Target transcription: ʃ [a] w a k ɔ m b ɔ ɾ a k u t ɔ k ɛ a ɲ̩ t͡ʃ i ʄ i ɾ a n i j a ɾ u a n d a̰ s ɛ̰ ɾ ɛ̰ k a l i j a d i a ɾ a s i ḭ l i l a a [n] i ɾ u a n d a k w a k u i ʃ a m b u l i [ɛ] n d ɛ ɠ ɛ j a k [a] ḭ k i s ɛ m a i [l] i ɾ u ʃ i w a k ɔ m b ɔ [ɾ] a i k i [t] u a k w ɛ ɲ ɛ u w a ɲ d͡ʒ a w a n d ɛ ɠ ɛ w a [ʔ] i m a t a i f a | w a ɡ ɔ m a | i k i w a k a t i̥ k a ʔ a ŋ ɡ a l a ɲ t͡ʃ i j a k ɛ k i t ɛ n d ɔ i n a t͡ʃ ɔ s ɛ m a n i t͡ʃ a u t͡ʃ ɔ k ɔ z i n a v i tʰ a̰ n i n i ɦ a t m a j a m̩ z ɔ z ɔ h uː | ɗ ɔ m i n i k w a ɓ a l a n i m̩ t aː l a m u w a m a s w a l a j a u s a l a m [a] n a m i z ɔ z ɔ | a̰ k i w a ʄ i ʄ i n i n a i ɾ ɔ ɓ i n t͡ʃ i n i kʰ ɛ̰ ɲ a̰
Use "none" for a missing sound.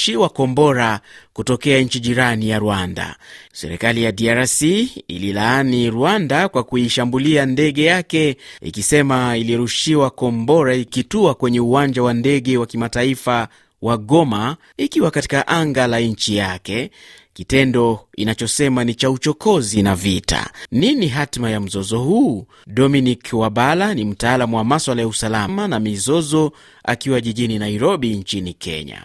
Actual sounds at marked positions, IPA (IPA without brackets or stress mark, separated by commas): i, n, a, ɛ, l, ɾ, t, k, a